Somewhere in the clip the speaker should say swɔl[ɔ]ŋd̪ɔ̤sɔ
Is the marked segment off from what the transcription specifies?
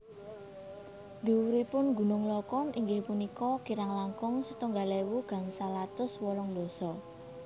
no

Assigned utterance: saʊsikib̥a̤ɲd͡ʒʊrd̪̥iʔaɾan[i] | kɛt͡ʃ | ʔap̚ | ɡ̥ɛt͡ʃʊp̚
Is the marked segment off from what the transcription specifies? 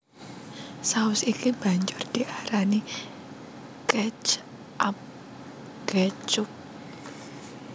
no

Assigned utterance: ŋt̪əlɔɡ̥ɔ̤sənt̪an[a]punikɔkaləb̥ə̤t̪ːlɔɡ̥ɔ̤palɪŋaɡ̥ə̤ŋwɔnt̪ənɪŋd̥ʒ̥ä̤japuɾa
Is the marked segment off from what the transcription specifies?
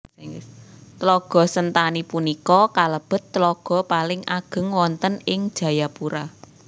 yes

